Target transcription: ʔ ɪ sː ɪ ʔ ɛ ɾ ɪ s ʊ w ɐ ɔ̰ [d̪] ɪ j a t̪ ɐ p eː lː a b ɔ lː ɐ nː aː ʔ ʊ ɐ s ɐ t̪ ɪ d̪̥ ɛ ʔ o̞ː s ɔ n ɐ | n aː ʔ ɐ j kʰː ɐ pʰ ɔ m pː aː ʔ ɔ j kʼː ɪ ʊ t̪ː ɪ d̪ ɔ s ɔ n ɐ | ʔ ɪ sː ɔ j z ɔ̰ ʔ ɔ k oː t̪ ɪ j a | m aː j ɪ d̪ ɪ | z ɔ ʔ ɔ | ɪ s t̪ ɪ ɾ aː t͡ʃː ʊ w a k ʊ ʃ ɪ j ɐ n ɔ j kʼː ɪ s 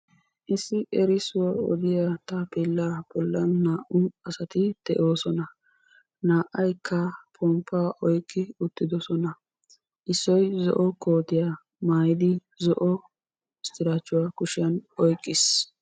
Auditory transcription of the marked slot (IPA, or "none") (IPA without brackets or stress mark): d̪